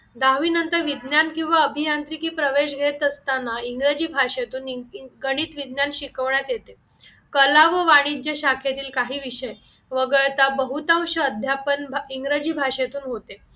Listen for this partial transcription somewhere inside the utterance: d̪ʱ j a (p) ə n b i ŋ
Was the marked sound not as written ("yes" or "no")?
no